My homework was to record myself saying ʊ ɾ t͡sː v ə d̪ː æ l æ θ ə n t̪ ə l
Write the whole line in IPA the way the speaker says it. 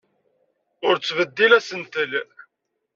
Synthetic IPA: ʊ ɾ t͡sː v ə d̪ː i l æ s ə n t̪ ə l